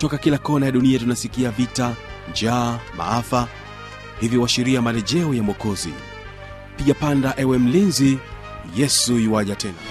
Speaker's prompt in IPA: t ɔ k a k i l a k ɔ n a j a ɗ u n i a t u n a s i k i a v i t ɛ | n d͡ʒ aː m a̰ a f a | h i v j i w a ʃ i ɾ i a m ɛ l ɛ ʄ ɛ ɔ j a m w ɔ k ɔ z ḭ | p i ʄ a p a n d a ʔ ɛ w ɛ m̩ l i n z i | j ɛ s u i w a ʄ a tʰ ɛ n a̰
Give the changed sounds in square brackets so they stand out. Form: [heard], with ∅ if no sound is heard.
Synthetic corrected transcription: t ɔ k a k i l a k ɔ n a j a ɗ u n i a t u n a s i k i a v i t [a] | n d͡ʒ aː m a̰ a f a | h i v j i w a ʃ i ɾ i a m [a] l ɛ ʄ ɛ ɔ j a m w ɔ k ɔ z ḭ | p i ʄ a p a n d a ʔ ɛ w ɛ m̩ l i n z i | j ɛ s u i w a ʄ a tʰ ɛ n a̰